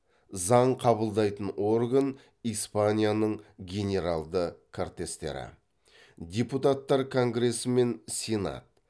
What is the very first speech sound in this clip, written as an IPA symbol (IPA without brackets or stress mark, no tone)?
z